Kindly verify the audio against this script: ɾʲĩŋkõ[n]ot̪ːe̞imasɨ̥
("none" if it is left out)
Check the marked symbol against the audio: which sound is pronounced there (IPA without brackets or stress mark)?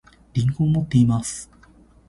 m